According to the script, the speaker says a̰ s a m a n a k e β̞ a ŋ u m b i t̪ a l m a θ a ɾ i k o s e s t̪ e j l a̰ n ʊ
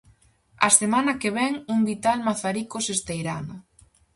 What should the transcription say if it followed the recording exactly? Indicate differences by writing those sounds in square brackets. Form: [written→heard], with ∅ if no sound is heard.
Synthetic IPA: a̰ s [a→e] m a n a k e β̞ [a→ɛ] ŋ u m b i t̪ a l m a θ a ɾ i k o s e s t̪ e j [l→ɾ] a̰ n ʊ